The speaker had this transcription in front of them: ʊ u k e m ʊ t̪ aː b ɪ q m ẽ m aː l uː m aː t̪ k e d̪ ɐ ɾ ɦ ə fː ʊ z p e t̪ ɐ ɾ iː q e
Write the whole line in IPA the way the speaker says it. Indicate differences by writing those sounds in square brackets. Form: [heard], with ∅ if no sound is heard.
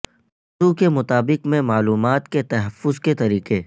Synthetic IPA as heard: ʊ u k e m ʊ t̪ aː b ɪ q m ẽ m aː l uː m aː t̪ k e [t̪] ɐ [∅] ɦ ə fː ʊ z [k] e t̪ ɐ ɾ iː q e